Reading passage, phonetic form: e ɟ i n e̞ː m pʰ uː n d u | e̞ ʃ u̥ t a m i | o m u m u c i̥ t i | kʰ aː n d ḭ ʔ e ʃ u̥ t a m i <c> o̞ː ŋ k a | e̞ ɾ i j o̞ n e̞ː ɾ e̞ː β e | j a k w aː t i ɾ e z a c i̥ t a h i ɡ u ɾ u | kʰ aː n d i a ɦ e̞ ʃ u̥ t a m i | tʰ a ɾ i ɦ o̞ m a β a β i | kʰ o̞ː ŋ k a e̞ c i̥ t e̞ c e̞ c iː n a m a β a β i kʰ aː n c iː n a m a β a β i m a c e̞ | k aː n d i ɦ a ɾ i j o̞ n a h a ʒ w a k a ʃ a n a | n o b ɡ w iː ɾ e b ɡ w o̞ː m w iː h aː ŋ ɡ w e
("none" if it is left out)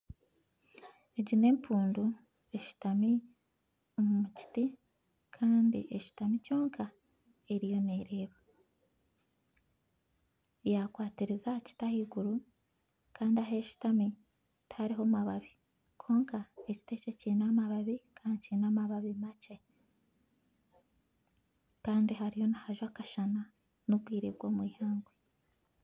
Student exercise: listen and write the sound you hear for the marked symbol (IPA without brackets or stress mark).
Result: c